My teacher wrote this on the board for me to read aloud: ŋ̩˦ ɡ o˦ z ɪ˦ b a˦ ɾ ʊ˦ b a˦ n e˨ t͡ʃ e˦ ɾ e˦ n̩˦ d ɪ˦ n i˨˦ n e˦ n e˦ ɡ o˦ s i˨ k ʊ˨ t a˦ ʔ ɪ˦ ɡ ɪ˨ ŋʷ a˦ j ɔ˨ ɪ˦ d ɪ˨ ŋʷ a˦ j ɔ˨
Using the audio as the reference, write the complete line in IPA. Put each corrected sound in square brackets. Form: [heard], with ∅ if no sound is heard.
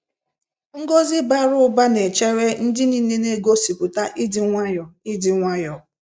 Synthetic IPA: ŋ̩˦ ɡ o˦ z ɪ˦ b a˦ ɾ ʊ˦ b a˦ n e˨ t͡ʃ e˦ ɾ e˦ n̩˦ d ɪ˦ n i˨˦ n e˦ n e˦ ɡ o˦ s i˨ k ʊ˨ t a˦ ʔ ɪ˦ [d] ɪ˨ ŋʷ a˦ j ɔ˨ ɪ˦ d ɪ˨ ŋʷ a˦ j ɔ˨